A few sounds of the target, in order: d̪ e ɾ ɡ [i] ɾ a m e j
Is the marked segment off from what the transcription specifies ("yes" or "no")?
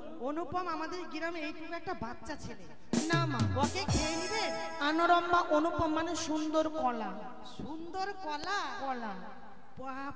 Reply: no